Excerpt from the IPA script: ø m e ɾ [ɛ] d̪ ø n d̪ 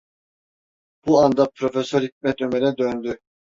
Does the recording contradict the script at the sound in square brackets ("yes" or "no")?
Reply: no